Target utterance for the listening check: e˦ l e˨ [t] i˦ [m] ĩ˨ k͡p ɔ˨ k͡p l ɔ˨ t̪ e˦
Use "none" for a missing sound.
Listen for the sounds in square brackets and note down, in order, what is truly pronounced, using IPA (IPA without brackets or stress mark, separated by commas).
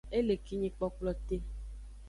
k, ɲ